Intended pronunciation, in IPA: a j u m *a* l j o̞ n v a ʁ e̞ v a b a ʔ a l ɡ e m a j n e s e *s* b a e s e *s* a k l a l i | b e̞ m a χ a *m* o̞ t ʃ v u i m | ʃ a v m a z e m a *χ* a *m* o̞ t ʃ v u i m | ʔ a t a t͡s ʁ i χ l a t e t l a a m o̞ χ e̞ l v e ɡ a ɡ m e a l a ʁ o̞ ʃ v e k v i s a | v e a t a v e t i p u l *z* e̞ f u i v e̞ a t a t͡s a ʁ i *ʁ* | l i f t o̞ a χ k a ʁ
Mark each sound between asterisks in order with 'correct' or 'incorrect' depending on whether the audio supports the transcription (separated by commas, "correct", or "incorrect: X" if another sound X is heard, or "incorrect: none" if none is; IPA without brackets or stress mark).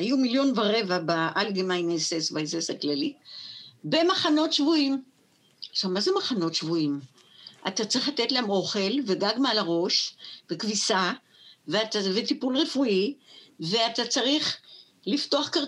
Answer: incorrect: i, correct, correct, incorrect: n, correct, incorrect: n, incorrect: ʁ, incorrect: χ